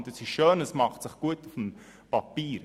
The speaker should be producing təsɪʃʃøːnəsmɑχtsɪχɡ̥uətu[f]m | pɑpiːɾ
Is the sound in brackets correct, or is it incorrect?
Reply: correct